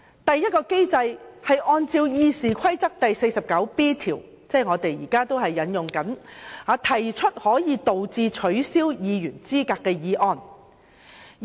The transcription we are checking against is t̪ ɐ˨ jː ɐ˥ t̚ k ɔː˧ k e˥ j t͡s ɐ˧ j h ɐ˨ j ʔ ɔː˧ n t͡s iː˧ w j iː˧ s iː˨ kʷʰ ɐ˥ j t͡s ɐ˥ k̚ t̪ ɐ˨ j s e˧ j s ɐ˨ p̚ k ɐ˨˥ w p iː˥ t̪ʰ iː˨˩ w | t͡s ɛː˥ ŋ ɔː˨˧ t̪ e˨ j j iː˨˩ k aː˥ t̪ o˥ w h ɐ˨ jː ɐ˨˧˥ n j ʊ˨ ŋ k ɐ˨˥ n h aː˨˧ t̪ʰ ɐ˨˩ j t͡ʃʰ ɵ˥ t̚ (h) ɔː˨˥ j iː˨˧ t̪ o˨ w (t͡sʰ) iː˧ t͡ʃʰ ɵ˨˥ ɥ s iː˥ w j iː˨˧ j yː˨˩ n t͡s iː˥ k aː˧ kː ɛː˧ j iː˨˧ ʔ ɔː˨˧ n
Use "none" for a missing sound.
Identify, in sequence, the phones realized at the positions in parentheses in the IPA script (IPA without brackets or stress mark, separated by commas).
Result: h, t͡s